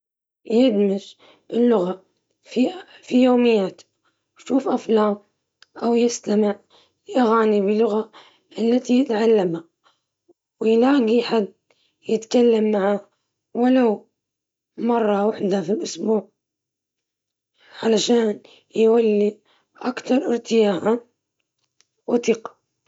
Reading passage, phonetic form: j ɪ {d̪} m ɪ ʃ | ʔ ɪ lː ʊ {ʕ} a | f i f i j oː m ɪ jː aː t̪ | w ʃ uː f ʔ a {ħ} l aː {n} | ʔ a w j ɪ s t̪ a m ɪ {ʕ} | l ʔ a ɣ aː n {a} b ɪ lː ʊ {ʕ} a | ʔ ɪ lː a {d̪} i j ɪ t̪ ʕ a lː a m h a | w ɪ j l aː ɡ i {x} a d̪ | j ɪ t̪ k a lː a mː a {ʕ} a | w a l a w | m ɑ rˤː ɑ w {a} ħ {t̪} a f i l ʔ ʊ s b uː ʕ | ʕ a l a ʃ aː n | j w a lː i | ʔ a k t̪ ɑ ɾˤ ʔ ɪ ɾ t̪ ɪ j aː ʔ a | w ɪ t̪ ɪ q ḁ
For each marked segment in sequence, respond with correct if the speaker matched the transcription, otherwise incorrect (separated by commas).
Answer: correct, incorrect, incorrect, incorrect, correct, incorrect, incorrect, incorrect, incorrect, correct, correct, incorrect